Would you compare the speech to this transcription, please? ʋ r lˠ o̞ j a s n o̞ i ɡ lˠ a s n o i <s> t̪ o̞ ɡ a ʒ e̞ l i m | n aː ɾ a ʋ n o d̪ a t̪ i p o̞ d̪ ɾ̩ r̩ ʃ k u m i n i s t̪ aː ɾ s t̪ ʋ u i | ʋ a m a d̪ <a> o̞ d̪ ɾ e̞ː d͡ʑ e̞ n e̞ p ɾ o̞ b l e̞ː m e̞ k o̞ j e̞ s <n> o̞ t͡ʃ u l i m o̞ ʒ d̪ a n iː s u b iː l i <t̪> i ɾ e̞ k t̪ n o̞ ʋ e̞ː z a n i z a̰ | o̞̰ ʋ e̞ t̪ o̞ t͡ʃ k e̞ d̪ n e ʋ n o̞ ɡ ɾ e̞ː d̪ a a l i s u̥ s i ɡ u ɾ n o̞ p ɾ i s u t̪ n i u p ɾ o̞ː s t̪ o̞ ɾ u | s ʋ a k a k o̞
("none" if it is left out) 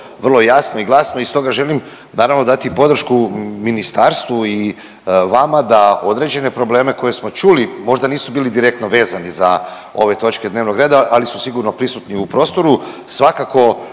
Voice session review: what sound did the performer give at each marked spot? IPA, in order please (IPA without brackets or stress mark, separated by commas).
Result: s, a, m, d̪